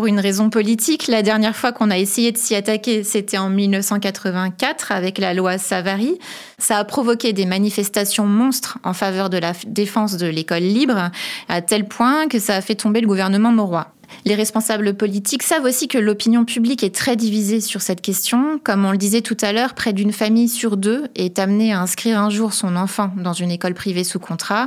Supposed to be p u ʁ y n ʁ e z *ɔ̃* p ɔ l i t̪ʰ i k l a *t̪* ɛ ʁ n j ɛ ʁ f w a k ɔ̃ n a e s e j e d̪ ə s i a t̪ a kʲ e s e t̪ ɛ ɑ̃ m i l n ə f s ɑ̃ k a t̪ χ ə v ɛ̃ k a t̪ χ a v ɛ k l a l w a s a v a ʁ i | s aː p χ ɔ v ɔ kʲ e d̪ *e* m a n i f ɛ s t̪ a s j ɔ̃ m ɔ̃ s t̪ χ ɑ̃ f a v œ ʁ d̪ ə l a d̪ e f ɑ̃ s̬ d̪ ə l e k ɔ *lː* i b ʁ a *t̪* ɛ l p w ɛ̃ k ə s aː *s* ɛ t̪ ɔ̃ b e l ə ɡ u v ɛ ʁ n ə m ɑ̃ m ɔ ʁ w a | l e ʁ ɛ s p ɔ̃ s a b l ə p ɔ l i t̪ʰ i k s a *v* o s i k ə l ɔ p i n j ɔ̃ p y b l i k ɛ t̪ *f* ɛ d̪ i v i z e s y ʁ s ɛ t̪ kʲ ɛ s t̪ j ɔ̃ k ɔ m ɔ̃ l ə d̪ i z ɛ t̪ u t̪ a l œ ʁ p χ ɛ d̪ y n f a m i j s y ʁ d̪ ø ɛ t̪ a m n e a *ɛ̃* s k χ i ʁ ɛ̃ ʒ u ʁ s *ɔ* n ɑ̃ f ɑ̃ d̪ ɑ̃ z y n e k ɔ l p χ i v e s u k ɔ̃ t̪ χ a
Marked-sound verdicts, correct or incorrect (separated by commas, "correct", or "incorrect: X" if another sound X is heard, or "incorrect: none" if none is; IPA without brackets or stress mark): correct, incorrect: d̪, correct, correct, correct, incorrect: f, correct, incorrect: χ, correct, incorrect: ɔ̃